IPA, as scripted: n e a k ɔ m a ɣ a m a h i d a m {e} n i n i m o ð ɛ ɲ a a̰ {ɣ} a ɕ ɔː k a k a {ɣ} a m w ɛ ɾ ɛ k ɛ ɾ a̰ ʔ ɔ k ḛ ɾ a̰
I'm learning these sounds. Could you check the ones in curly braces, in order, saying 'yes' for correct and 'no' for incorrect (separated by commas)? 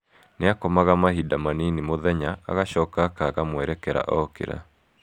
no, yes, yes